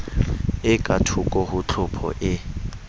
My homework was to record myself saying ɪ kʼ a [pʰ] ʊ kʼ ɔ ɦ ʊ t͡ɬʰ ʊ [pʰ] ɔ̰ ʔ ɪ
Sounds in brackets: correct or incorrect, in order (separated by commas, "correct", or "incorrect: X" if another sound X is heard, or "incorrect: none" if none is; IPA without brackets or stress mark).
incorrect: tʰ, correct